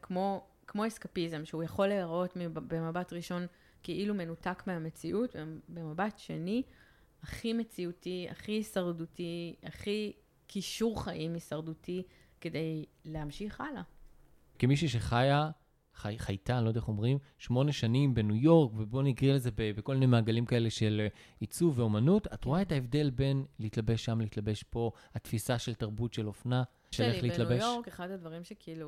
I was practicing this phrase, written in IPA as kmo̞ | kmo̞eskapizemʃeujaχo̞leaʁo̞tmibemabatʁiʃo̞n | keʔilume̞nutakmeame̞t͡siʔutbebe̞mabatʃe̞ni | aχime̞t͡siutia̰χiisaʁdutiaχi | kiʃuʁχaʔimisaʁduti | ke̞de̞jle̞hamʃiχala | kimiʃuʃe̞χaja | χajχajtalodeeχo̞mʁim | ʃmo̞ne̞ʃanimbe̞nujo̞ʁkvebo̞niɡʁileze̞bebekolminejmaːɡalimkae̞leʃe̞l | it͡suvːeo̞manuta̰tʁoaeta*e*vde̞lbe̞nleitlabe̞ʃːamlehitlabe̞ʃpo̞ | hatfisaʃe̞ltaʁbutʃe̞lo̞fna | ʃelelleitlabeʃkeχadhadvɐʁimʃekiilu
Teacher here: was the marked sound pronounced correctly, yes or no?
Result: yes